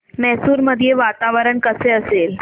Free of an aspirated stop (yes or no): yes